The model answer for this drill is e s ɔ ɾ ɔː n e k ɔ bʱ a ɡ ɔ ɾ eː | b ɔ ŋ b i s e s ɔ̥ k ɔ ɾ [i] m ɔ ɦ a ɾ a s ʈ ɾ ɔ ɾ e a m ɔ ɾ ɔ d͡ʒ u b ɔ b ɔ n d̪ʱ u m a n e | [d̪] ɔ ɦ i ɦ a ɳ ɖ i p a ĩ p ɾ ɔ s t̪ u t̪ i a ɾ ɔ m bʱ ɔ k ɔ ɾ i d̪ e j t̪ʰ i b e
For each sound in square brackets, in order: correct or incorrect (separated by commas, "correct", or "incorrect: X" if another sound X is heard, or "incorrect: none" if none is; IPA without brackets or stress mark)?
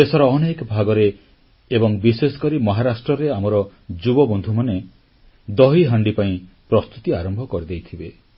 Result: correct, correct